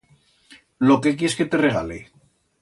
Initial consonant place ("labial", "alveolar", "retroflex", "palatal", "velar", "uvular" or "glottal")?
alveolar